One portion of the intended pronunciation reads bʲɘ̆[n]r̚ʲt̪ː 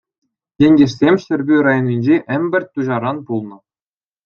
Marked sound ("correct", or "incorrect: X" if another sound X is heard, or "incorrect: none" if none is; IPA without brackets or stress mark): incorrect: none